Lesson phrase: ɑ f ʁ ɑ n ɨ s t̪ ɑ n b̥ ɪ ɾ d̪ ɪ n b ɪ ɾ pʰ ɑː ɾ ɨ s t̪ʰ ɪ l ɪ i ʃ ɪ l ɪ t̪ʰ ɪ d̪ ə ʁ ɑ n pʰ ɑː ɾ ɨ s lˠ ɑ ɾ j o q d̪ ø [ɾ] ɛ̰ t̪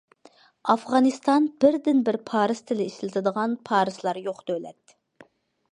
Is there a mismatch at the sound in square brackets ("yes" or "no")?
yes